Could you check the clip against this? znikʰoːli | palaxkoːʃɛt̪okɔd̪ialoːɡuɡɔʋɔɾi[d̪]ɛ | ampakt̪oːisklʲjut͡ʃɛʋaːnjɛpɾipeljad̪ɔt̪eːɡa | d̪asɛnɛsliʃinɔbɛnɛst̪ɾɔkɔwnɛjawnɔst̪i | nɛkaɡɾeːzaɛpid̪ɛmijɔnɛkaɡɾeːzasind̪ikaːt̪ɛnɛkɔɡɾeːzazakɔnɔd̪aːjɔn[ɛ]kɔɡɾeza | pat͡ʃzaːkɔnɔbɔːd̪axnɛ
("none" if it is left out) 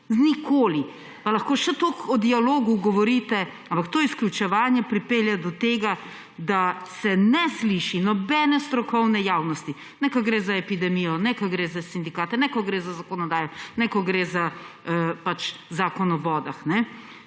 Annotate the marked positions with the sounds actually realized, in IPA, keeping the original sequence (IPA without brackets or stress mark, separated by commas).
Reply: t̪, ɛ